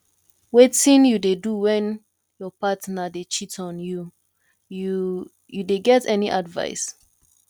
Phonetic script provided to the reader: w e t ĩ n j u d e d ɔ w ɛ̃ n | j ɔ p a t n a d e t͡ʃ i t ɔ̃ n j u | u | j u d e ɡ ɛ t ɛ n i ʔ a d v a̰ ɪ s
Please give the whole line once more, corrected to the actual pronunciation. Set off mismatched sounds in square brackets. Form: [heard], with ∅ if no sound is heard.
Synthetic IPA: w e t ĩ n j u d e d [u] w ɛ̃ n | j ɔ p a t n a d e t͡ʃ i t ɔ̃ n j u | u | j u d e ɡ ɛ t ɛ n i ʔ a d v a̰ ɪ s